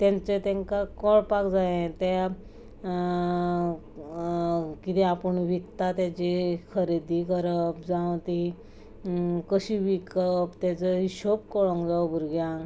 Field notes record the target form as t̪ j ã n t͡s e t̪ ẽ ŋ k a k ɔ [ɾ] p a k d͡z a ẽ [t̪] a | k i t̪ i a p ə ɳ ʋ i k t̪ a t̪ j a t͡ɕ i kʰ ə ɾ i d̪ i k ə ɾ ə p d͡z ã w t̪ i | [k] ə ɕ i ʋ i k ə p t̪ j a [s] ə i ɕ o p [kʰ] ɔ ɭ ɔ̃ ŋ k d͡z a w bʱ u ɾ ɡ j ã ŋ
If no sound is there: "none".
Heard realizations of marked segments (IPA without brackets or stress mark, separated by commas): ɭ, t̪, k, t͡s, k